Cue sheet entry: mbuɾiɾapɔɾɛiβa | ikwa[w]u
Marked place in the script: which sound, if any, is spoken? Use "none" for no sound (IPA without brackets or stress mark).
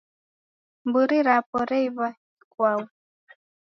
w